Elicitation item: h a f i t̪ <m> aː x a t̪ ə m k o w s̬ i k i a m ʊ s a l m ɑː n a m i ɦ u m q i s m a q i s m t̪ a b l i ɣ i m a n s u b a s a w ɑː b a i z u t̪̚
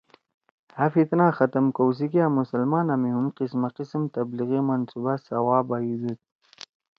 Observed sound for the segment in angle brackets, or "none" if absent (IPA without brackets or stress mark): n